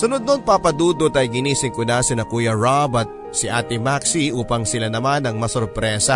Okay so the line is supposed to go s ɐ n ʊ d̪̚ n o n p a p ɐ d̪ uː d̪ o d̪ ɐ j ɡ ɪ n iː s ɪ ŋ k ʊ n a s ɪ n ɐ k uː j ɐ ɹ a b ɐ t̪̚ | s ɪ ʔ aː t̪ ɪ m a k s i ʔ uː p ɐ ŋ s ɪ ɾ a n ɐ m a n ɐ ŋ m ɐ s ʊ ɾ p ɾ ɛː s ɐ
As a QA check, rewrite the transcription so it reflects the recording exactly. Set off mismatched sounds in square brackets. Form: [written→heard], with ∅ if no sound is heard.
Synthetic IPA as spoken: s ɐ n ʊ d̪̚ n o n p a p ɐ d̪ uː d̪ o [d̪→t̪] ɐ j ɡ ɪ n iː s ɪ ŋ k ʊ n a s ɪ n ɐ k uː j ɐ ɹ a b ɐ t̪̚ | s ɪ ʔ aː t̪ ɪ m a k s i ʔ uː p ɐ ŋ s ɪ [ɾ→l] a n ɐ m a n ɐ ŋ m ɐ s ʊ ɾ p ɾ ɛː s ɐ